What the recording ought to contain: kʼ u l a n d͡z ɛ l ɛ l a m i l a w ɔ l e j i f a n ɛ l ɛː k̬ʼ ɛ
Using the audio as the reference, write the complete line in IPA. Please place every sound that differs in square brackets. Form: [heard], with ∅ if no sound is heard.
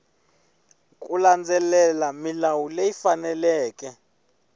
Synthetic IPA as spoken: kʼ u l a n d͡z ɛ l ɛ l a m i l a w [u] l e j i f a n ɛ l ɛː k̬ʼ ɛ